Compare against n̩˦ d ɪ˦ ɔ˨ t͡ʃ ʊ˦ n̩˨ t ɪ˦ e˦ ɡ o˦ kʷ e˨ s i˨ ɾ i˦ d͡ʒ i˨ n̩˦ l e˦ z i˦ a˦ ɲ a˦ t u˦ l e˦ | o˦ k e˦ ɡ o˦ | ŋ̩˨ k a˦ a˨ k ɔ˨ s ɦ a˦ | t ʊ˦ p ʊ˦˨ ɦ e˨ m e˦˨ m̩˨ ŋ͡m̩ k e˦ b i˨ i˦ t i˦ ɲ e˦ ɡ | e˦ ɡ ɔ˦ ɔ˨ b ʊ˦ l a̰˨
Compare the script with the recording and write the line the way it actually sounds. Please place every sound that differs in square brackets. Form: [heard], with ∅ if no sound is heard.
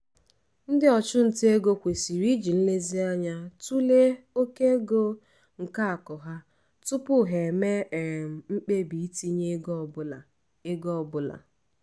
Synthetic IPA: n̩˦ d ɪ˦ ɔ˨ t͡ʃ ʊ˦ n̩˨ t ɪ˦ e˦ ɡ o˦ kʷ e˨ s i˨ ɾ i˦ d͡ʒ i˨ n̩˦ l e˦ z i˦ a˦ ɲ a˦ t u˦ l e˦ | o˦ k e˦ ɡ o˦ | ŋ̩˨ k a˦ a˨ k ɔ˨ [∅] ɦ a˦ | t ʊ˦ p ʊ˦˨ ɦ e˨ m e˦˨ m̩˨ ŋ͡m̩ [k͡p] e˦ b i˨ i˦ t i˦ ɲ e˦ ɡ | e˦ ɡ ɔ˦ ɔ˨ b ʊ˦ l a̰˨